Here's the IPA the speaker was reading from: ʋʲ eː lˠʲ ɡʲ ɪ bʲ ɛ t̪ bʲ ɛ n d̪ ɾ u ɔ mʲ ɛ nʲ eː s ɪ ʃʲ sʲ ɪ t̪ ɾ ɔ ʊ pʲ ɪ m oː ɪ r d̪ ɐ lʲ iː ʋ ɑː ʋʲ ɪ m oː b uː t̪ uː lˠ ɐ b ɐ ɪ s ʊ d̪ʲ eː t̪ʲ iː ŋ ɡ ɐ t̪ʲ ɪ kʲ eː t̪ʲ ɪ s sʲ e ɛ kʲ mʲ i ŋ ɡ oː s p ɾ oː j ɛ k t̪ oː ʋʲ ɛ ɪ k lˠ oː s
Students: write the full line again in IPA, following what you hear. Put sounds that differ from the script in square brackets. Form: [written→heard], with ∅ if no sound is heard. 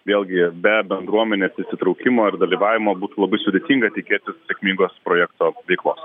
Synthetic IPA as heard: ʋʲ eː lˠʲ ɡʲ ɪ bʲ ɛ [t̪→∅] bʲ ɛ n d̪ ɾ u ɔ mʲ ɛ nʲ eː s ɪ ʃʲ sʲ ɪ t̪ ɾ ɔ ʊ [pʲ→kʲ] ɪ m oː ɪ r d̪ ɐ lʲ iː ʋ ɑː ʋʲ ɪ m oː b uː t̪ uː lˠ ɐ b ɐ ɪ s ʊ d̪ʲ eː t̪ʲ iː ŋ ɡ ɐ t̪ʲ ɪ kʲ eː t̪ʲ ɪ s sʲ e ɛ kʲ mʲ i ŋ ɡ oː s p ɾ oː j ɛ k t̪ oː ʋʲ ɛ ɪ k lˠ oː s